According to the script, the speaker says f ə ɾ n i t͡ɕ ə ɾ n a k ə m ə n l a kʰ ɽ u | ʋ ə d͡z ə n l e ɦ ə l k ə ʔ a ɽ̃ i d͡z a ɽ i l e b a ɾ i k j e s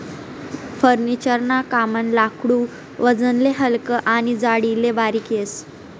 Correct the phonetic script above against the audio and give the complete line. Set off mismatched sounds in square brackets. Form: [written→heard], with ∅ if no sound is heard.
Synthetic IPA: f ə ɾ n i t͡ɕ ə ɾ n a k [ə→a] m ə n l a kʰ ɽ u | ʋ ə d͡z ə n l e ɦ ə l k ə ʔ a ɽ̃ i d͡z a ɽ i l e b a ɾ i k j e s